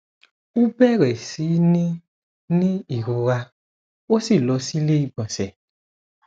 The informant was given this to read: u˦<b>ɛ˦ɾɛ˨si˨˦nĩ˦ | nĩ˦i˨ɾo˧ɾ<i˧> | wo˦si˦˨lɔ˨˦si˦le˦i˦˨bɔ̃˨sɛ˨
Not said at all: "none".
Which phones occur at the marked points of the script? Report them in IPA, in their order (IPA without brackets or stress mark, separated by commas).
b, a˧